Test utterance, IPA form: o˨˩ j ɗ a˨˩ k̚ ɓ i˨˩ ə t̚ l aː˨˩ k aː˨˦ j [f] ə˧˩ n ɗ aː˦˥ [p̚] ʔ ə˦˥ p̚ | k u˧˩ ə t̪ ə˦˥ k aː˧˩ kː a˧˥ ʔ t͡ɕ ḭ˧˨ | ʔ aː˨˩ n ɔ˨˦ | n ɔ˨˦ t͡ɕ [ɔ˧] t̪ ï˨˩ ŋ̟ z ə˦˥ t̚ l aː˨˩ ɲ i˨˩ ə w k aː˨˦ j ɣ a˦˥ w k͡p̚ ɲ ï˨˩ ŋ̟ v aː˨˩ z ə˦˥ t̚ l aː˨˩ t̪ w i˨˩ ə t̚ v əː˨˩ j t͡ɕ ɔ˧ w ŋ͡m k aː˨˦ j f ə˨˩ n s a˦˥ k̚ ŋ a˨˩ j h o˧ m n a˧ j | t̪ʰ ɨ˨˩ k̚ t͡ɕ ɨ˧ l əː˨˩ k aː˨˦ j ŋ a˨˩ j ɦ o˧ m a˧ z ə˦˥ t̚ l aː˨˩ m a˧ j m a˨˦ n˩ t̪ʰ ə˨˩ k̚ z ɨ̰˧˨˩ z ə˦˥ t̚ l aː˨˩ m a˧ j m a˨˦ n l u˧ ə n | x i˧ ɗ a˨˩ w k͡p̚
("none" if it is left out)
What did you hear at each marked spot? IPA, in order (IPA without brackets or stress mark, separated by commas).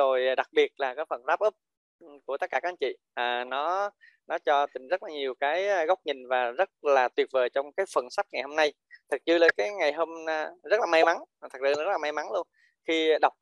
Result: f, p̚, ɔ˧